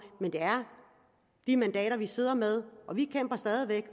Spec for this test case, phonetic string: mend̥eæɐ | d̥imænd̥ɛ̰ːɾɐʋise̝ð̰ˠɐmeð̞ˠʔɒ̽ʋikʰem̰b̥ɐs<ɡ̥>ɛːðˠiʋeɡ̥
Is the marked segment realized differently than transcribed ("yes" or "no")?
yes